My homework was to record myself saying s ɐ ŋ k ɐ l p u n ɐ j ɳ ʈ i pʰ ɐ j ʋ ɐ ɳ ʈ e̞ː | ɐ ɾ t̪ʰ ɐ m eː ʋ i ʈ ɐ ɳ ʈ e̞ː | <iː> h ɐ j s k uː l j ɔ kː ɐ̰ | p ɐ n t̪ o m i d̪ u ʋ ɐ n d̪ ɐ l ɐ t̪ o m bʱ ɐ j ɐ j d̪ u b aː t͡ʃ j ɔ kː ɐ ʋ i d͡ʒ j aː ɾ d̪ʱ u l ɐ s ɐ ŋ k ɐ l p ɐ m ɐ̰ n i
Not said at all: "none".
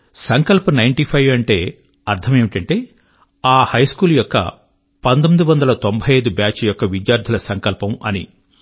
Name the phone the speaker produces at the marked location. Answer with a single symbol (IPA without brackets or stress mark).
aː